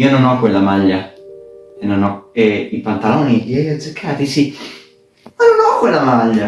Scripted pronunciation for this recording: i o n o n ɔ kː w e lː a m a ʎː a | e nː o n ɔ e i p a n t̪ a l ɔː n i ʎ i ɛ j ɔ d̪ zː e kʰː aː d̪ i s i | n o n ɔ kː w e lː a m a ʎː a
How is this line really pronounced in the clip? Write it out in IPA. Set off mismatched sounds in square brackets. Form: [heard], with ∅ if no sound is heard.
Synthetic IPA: i o n o n ɔ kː w e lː a m a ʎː a | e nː o n ɔ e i p a n t̪ a l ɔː n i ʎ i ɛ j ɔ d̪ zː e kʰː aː [t̪] i s i | n o n ɔ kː w e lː a m a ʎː a